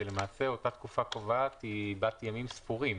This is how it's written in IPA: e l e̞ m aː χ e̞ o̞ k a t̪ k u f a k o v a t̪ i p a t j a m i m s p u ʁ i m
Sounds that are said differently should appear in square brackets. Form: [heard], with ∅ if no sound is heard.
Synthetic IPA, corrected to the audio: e l e̞ m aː [s] e̞ o̞ [t] a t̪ k u f a k o v a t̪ i [b] a t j a m i m s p u ʁ i m